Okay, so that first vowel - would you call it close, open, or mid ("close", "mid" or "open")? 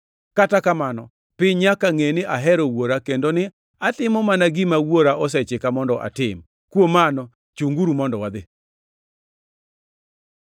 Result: open